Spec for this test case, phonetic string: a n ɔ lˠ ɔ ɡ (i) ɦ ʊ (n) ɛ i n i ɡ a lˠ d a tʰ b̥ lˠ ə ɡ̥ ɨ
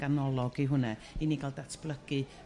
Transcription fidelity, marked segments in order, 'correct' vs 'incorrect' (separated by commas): correct, correct